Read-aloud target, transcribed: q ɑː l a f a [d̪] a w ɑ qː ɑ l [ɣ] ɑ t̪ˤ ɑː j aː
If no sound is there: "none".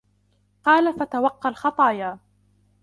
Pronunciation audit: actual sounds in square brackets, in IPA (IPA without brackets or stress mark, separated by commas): t̪, x